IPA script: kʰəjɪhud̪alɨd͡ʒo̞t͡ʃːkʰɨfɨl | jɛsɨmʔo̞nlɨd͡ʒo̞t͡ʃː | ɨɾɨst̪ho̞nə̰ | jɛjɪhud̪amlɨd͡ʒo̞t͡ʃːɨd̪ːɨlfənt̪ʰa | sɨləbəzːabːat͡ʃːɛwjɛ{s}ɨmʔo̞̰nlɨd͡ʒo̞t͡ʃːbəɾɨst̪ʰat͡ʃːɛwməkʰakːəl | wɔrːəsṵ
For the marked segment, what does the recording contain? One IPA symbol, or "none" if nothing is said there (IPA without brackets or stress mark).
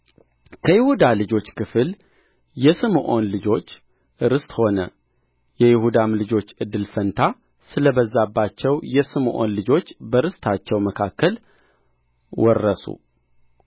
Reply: s